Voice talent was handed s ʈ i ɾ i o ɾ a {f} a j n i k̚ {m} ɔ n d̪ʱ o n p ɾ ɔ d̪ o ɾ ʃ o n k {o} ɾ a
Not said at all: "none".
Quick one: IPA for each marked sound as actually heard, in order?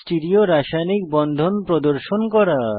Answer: ʃ, b, ɔ

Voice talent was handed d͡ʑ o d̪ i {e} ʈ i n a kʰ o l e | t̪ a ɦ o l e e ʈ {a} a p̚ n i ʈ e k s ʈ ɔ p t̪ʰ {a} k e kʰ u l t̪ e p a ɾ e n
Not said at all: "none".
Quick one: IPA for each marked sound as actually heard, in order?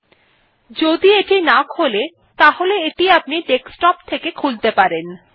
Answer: e, i, e

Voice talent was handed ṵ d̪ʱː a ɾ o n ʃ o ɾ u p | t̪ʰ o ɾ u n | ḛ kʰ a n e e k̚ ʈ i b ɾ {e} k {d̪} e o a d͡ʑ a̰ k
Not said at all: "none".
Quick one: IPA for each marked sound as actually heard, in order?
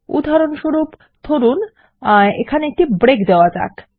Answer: e, d̪

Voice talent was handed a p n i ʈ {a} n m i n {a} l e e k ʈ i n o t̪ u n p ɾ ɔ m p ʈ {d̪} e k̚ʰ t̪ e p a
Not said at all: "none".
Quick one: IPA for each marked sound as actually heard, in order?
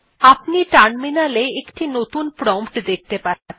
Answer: a, a, d̪

